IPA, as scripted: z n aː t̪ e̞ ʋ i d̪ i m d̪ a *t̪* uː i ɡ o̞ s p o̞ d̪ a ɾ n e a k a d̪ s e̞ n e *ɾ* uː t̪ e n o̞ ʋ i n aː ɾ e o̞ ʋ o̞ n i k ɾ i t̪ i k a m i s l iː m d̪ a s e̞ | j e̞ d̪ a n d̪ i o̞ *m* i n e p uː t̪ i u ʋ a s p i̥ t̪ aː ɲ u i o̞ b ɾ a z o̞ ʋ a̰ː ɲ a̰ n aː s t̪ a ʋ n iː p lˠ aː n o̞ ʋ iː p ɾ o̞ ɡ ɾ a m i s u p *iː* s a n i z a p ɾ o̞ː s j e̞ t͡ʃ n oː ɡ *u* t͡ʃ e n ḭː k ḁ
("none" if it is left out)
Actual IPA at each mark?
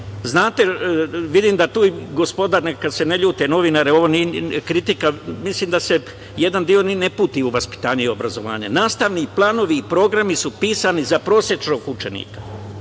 t̪, ʎ, n, iː, u

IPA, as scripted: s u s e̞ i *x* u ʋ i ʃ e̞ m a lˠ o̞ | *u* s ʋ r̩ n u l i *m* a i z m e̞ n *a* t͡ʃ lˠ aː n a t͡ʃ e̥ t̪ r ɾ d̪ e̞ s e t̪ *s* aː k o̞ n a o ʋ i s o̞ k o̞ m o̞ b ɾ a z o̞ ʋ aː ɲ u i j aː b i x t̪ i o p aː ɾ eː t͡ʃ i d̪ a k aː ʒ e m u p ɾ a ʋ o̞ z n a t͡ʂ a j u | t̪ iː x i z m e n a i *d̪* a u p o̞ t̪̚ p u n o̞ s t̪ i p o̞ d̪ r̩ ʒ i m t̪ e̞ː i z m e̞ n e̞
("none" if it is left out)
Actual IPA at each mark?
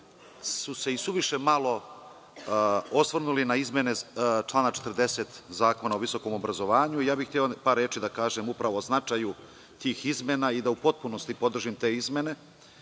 s, o, n, e, z, d̪

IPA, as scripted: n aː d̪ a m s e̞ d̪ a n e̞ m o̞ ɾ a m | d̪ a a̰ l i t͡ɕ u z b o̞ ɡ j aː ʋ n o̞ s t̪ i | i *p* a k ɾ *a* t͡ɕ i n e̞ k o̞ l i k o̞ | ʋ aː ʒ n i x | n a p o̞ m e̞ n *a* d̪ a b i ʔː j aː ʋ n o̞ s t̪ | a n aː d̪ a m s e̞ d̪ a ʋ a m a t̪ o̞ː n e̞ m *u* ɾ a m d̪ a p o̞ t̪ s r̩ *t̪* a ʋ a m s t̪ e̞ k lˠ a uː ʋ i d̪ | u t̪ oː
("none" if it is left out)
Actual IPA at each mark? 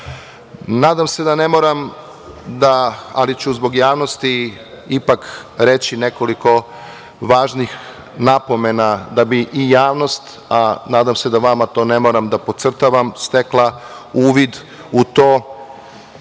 p, e, a, o, t̪

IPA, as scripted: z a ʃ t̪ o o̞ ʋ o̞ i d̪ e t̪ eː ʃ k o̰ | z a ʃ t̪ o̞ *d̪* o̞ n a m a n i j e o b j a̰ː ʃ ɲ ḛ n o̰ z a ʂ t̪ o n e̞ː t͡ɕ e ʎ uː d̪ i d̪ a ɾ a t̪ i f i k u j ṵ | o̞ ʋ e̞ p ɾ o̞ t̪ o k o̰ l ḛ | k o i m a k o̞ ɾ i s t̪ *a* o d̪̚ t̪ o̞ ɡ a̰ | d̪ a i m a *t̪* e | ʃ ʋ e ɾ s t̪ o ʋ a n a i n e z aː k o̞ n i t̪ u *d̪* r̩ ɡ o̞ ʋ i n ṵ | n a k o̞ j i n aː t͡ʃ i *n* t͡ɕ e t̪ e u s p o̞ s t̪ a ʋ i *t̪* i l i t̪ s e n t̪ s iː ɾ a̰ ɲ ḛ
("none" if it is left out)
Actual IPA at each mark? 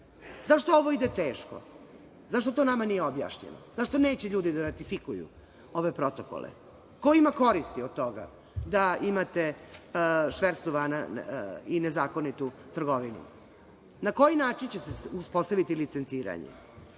t̪, i, t̪, t̪, n, t̪

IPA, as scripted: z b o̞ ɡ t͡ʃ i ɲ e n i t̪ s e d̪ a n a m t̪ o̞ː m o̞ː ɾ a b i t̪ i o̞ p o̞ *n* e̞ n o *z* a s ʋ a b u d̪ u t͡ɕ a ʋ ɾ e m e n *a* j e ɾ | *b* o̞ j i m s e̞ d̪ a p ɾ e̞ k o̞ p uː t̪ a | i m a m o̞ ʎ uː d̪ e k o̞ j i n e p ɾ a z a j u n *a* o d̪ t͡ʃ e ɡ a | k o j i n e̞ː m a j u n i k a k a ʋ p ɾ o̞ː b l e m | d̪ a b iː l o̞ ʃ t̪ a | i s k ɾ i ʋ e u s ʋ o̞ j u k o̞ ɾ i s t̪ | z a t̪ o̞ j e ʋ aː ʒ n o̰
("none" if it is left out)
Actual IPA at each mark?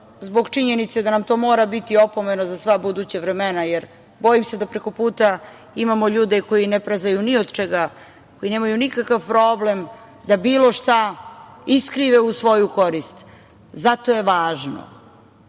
m, z, a, b, i

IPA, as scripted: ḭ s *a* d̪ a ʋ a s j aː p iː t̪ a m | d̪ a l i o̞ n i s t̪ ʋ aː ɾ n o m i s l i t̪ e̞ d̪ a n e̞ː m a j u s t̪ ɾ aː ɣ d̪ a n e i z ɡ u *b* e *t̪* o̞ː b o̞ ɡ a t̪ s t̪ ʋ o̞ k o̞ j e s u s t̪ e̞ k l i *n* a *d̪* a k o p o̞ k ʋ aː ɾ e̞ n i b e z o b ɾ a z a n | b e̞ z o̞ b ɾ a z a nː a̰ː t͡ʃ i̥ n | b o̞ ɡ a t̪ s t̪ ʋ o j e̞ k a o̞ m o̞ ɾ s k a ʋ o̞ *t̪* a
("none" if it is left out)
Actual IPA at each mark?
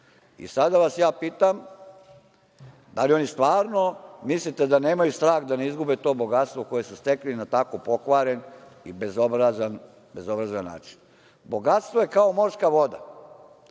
a, b, t̪, n, t̪, d̪

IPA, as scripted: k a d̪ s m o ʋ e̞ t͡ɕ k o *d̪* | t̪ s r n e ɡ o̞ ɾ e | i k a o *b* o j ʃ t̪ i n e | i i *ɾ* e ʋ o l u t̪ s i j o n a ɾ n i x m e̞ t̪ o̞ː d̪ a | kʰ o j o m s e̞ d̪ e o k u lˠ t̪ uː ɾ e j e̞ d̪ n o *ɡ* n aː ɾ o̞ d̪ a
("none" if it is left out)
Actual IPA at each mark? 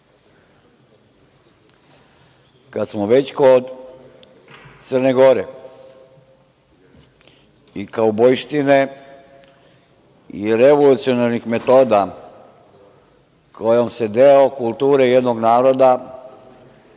d̪, b, ɾ, ɡ

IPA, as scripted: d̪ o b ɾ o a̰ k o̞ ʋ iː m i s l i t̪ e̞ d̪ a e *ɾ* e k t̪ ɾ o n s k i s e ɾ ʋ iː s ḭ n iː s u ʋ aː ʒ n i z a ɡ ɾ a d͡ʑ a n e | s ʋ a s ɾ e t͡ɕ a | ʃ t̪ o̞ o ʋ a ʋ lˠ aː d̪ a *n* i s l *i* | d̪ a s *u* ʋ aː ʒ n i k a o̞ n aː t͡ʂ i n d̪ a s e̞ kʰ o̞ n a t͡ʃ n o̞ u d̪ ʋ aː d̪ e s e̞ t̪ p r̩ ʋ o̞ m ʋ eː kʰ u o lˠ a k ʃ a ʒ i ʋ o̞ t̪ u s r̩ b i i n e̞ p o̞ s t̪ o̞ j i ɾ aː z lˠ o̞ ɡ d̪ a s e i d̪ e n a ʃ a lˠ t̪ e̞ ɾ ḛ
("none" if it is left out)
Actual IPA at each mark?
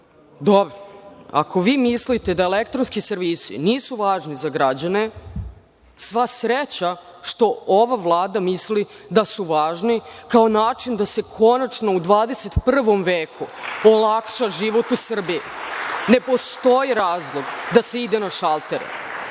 l, m, i, u

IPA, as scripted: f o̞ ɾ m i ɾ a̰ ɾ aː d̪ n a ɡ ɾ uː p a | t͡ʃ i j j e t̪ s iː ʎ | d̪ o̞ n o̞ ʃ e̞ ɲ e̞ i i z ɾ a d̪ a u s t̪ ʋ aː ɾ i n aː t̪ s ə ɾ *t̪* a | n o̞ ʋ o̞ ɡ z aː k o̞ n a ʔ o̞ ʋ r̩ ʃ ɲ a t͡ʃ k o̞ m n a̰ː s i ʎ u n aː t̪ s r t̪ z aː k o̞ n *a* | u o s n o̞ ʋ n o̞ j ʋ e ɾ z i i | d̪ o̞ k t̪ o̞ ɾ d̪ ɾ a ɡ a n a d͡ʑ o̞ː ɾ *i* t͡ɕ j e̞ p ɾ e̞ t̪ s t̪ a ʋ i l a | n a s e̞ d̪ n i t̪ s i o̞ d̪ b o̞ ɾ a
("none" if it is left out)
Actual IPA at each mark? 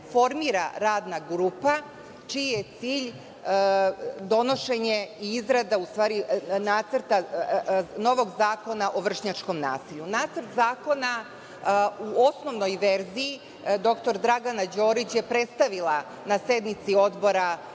t̪, a, i

